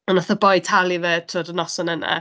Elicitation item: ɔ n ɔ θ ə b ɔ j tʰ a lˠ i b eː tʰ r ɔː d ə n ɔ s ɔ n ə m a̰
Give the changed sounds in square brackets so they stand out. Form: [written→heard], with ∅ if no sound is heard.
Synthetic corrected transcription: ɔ n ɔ θ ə b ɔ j tʰ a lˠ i [b→v] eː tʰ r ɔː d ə n ɔ s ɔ n ə [m→n] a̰